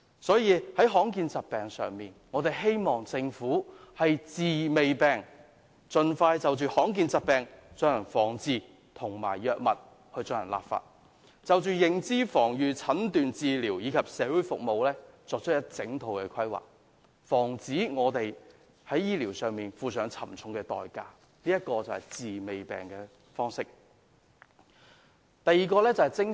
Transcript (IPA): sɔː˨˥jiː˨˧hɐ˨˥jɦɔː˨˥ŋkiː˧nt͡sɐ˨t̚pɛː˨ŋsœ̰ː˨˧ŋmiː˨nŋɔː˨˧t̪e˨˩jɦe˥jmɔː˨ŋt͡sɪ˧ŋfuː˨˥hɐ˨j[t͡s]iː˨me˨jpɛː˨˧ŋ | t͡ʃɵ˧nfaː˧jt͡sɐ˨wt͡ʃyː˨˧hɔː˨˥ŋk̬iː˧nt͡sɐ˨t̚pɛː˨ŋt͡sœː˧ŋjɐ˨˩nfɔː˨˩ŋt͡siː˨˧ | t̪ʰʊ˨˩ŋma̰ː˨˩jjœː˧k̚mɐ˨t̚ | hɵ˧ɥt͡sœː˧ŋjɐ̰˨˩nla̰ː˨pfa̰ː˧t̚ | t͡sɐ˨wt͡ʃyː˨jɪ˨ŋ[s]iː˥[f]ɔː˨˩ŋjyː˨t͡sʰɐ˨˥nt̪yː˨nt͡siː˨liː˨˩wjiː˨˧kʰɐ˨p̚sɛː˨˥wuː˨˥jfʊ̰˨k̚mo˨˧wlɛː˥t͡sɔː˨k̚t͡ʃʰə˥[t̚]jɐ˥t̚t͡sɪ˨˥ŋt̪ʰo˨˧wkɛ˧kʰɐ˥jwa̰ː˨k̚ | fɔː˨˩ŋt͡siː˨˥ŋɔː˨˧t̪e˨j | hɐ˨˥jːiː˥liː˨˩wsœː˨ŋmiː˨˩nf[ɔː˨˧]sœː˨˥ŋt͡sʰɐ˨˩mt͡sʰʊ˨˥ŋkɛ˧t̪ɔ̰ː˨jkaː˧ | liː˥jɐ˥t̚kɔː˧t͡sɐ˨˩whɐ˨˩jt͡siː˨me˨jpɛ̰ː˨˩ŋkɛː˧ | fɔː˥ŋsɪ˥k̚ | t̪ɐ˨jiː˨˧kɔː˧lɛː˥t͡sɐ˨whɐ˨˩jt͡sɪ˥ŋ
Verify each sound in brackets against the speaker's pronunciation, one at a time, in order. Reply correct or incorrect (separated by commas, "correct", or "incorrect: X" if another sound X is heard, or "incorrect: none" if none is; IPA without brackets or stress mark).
correct, incorrect: t͡s, correct, correct, incorrect: uː˨˧